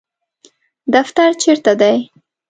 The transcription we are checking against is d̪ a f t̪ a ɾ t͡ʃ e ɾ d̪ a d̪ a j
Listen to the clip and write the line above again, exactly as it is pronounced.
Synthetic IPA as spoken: d̪ a f t̪ a ɾ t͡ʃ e ɾ t̪ a d̪ a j